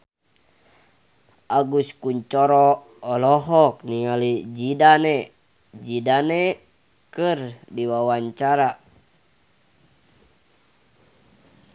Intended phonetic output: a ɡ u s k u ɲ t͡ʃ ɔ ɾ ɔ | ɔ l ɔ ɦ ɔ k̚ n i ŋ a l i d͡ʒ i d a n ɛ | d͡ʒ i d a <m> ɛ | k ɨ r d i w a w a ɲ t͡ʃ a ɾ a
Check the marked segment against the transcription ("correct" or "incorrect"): incorrect